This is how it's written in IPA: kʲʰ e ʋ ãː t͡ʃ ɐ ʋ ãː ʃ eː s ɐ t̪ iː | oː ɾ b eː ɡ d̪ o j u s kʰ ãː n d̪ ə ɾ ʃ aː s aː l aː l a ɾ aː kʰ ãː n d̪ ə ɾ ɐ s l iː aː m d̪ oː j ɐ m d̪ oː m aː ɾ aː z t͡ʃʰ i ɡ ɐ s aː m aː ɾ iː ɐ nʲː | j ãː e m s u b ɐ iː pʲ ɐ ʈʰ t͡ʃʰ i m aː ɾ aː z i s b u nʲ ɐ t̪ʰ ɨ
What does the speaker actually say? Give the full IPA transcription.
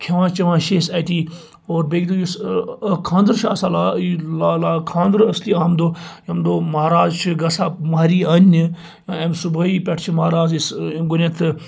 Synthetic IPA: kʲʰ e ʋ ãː t͡ʃ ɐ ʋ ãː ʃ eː s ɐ t̪ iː | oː ɾ b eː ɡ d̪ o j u s kʰ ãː n d̪ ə ɾ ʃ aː s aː l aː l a l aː kʰ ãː n d̪ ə ɾ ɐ s l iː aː m d̪ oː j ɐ m d̪ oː m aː ɾ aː z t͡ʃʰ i ɡ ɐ s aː m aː ɾ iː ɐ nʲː | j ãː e m s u b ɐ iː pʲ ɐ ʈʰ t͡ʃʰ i m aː ɾ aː z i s ɡ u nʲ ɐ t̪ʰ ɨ

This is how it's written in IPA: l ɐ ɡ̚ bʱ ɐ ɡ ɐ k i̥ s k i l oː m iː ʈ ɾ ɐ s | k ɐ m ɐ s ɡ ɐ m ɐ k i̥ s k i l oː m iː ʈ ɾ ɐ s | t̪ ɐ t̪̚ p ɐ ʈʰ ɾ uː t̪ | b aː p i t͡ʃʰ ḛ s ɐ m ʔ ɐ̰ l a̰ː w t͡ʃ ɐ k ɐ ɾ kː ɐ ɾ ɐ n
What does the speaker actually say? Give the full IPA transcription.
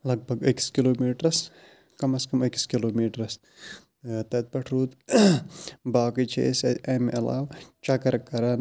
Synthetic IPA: l ɐ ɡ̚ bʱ ɐ ɡ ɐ k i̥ s k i l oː m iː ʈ ɾ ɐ s | k ɐ m ɐ s k ɐ m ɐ k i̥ s k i l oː m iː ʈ ɾ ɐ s | t̪ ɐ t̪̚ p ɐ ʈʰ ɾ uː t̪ | b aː k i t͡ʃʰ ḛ s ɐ m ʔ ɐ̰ l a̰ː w t͡ʃ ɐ k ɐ ɾ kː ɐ ɾ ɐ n

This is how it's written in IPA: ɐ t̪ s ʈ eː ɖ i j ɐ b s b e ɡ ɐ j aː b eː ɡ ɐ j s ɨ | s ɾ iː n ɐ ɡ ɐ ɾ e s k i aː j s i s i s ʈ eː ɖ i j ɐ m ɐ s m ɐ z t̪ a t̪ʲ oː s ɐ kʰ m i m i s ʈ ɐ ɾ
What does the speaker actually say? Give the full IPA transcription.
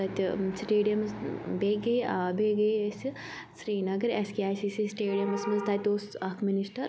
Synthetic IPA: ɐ t̪ s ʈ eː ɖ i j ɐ m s b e ɡ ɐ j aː b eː ɡ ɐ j s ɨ | s ɾ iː n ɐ ɡ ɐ ɾ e s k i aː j s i s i s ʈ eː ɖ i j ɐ m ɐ s m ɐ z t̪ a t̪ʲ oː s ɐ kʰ m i n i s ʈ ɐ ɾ

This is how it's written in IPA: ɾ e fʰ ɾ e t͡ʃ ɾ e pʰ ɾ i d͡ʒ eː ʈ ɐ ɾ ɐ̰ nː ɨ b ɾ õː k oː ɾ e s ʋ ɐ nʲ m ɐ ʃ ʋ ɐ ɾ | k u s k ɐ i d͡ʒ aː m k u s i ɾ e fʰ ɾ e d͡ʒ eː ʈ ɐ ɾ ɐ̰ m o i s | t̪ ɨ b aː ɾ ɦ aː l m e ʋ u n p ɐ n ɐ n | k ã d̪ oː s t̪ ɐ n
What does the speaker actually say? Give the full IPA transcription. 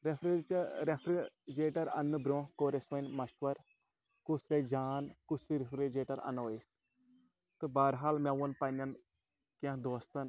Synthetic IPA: ɾ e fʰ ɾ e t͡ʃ ɾ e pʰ ɾ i d͡ʒ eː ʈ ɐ ɾ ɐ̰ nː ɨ b ɾ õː k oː ɾ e s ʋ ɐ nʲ m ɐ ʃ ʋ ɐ ɾ | k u s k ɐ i d͡ʒ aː n k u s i ɾ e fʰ ɾ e d͡ʒ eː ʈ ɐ ɾ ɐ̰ n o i s | t̪ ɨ b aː ɾ ɦ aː l m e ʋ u n p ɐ n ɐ n | k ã d̪ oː s t̪ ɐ n

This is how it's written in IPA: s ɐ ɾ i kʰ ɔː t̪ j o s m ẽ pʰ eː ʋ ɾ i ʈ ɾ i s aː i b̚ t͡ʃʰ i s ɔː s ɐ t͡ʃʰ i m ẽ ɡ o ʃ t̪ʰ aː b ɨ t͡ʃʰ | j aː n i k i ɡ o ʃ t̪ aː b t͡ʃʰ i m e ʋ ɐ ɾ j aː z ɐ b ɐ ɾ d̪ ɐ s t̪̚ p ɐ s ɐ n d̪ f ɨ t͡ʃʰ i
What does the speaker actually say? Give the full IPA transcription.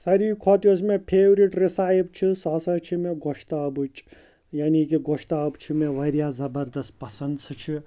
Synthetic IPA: s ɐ ɾ i kʰ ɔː t̪ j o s m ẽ pʰ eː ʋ ɾ i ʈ ɾ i s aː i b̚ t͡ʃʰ i s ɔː s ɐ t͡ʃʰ i m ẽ ɡ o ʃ t̪ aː b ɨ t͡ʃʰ | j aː n i k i ɡ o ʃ t̪ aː b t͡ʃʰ i m e ʋ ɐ ɾ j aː z ɐ b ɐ ɾ d̪ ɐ s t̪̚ p ɐ s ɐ n d̪ s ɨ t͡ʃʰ i

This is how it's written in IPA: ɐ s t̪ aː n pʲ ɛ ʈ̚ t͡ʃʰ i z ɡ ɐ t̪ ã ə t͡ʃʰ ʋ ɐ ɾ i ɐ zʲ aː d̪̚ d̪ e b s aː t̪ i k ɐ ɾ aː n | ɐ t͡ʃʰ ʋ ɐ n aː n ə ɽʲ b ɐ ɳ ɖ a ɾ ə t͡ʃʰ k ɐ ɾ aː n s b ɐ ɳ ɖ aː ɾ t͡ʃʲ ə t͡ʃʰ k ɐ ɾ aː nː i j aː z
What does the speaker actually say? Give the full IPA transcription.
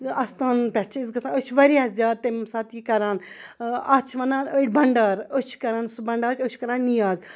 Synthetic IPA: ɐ s t̪ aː n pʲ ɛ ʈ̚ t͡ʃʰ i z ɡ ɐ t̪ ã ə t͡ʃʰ ʋ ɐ ɾ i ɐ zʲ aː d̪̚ t̪ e m s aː t̪ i k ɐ ɾ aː n | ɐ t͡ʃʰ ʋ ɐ n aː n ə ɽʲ b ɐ ɳ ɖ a ɾ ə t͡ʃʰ k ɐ ɾ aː n s b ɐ ɳ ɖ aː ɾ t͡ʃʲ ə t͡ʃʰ k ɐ ɾ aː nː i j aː z

